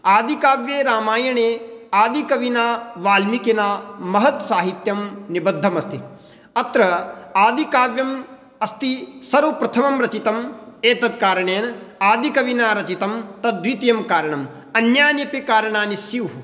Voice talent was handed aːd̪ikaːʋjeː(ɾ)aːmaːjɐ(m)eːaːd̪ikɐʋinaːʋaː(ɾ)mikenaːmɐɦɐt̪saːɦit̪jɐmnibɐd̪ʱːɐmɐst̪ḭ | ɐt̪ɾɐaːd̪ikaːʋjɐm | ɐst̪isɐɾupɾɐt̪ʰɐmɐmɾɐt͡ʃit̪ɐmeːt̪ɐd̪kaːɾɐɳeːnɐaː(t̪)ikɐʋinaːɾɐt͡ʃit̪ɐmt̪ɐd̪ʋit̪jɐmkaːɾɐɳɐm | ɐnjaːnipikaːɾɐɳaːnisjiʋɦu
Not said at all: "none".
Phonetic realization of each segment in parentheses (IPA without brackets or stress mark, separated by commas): ɾ, ɳ, l, d̪